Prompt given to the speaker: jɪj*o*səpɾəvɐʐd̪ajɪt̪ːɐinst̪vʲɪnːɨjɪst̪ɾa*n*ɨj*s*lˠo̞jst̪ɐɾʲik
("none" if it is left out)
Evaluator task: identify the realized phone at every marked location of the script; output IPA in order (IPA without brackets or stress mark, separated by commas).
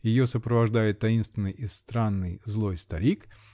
o, nː, z